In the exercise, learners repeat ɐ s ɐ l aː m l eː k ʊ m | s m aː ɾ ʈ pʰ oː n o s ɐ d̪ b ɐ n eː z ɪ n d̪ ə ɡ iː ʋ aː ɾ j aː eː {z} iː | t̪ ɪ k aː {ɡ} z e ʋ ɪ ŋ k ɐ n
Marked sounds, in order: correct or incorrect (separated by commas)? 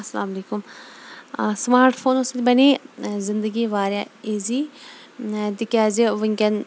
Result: correct, incorrect